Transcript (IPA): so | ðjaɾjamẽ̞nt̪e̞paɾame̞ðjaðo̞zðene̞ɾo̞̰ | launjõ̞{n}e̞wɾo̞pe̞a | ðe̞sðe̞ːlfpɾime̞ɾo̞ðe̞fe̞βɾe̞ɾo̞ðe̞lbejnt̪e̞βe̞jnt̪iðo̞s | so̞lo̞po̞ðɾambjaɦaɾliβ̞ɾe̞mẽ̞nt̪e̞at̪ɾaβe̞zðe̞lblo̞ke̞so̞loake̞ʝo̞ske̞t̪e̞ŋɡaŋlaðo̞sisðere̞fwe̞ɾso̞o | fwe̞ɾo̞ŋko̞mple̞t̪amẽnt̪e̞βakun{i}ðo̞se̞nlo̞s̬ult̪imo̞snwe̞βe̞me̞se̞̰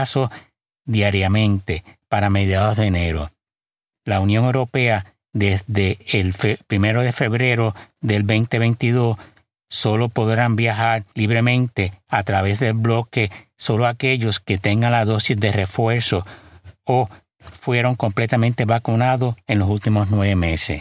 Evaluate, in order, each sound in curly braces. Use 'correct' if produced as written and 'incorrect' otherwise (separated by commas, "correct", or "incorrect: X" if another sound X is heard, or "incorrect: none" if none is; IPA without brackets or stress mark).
incorrect: ŋ, incorrect: a